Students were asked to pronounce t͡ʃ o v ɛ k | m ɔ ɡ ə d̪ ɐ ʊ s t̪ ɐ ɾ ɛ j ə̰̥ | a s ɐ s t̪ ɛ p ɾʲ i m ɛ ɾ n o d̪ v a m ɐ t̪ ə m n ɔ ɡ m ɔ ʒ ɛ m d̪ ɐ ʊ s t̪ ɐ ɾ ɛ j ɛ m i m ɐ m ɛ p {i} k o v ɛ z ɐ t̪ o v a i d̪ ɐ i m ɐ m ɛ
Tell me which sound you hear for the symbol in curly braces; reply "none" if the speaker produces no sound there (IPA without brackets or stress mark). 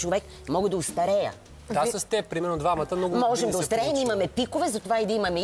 i